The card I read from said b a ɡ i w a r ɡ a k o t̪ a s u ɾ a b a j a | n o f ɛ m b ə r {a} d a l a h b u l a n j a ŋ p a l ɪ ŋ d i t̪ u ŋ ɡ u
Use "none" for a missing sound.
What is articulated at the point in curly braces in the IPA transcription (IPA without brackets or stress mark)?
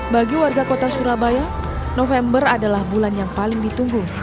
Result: a